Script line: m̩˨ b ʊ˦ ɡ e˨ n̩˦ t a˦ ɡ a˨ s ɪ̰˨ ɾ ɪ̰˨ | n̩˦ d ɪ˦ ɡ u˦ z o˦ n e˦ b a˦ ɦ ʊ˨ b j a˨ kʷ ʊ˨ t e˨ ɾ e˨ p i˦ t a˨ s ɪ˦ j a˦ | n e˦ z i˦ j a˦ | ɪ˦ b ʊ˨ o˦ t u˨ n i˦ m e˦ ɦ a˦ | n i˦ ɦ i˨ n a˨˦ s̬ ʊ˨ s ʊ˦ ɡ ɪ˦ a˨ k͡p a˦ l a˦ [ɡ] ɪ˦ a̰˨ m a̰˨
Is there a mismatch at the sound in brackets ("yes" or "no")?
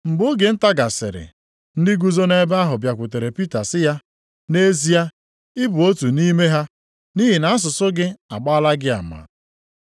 no